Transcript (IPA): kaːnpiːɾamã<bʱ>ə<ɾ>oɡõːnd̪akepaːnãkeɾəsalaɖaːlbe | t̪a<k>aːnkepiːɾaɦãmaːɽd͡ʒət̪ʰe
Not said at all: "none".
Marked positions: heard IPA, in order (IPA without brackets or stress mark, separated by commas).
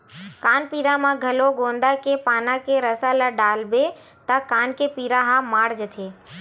ɡʱ, l, k